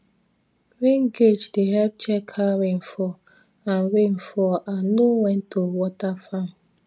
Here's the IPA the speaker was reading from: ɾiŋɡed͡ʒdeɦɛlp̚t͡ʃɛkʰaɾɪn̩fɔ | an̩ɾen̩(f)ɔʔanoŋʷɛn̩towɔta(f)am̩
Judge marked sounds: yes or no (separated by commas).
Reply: yes, yes